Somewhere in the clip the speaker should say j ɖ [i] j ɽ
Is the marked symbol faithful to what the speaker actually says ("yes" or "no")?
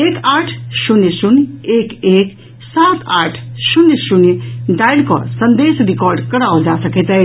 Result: no